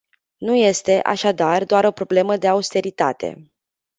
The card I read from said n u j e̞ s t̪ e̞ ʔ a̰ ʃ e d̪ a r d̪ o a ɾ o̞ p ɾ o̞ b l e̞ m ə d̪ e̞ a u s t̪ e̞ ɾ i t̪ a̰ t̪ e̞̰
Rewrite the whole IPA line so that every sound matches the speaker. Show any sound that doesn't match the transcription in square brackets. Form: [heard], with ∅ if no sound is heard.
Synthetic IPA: n u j e̞ s t̪ e̞ ʔ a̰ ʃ [a] d̪ a r d̪ o a ɾ o̞ p ɾ o̞ b l e̞ m ə d̪ e̞ a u s t̪ e̞ ɾ i t̪ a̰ t̪ e̞̰